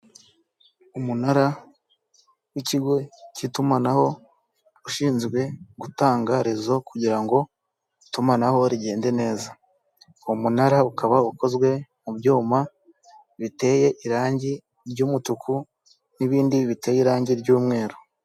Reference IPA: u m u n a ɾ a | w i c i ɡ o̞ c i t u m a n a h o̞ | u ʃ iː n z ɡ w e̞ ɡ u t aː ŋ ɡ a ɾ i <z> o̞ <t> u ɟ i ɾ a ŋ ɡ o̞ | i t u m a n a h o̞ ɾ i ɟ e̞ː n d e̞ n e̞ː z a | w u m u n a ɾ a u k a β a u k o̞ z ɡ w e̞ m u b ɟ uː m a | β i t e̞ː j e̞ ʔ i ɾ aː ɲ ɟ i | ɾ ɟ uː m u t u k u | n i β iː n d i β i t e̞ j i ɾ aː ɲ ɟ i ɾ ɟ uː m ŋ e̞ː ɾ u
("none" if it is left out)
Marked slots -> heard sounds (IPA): z, k

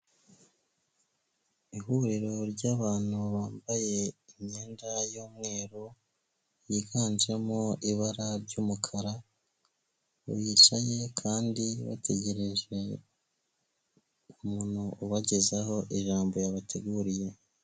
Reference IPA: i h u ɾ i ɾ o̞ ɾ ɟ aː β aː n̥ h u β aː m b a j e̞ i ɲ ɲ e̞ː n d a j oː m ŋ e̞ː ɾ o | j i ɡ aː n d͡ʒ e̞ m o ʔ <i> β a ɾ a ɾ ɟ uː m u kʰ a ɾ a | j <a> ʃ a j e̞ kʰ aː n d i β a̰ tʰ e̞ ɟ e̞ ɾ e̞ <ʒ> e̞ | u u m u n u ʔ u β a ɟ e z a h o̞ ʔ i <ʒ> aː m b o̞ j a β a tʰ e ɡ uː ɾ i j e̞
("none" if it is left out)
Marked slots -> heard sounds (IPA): i, i, ʒ, ʒ

